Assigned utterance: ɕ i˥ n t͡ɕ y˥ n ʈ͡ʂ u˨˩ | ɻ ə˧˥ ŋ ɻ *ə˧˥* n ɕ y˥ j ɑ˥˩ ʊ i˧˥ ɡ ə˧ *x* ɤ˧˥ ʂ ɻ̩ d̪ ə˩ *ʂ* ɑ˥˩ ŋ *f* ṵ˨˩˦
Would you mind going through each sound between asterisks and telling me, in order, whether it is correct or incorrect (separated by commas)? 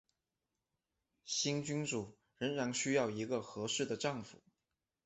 incorrect, correct, incorrect, correct